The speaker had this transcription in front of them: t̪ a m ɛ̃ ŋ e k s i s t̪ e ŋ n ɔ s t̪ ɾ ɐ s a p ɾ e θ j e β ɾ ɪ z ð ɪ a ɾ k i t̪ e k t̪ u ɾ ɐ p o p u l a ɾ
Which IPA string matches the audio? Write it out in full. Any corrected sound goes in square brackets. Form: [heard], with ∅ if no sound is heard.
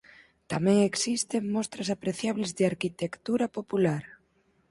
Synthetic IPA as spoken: t̪ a m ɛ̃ ŋ e k s i s t̪ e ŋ [m] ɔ s t̪ ɾ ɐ s a p ɾ e θ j [a] β [l] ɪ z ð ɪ a ɾ k i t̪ e k t̪ u ɾ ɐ p o p u l a ɾ